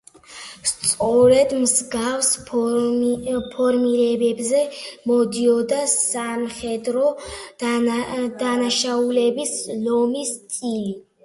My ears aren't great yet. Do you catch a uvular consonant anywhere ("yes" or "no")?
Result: yes